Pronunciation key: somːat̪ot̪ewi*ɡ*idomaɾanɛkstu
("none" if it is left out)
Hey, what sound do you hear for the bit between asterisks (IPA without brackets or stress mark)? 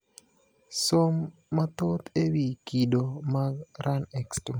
k